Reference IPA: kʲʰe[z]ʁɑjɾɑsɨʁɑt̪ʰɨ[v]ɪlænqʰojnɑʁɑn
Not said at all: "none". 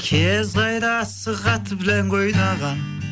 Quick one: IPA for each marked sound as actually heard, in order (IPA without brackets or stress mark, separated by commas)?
z, b